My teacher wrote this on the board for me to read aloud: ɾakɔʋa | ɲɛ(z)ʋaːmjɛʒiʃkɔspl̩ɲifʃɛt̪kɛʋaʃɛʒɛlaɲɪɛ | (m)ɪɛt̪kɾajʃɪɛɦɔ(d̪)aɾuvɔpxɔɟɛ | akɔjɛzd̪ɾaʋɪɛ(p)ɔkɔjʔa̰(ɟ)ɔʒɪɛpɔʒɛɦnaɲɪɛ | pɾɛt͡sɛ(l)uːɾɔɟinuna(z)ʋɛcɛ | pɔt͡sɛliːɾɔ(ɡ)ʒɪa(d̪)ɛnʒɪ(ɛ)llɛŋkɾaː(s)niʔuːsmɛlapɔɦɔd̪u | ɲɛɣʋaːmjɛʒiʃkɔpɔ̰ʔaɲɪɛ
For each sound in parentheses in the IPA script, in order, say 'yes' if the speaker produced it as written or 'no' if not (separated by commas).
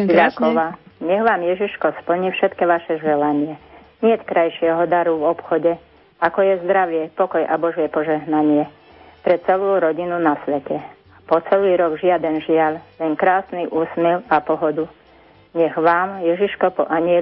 no, no, yes, yes, no, yes, no, yes, yes, no, yes